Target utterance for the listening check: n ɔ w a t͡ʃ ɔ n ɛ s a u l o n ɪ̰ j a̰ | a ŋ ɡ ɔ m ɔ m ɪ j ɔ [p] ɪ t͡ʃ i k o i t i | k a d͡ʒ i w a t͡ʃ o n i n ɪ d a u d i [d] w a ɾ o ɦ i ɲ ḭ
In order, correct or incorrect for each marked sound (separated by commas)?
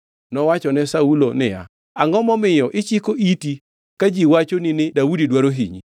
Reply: incorrect, correct